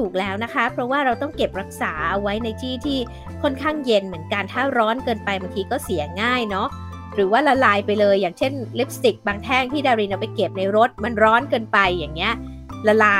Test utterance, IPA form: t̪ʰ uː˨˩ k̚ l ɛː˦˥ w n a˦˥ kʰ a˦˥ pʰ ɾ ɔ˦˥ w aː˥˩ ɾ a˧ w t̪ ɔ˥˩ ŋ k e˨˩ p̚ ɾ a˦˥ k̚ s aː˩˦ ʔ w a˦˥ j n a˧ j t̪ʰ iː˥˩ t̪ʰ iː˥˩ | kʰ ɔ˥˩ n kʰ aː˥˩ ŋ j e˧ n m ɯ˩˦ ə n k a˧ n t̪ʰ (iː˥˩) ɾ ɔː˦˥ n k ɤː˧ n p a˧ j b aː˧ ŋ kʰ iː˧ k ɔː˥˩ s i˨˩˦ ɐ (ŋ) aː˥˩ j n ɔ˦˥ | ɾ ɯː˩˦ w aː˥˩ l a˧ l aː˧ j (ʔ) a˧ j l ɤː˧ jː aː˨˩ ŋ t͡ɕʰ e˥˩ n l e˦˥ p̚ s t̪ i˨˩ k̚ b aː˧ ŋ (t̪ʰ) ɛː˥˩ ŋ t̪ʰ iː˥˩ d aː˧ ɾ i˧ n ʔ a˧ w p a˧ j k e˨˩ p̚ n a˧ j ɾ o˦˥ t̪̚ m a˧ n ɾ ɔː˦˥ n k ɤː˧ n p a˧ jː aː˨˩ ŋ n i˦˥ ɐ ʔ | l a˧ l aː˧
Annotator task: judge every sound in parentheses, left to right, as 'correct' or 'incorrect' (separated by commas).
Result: incorrect, correct, incorrect, correct